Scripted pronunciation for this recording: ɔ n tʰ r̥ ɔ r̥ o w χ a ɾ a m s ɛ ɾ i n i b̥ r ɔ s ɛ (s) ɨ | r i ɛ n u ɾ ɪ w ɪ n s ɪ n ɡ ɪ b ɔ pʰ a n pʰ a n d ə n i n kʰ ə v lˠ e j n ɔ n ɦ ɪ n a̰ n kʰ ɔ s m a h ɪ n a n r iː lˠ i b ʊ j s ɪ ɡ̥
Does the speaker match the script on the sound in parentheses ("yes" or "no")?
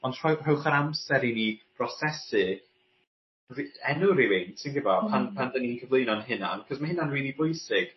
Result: yes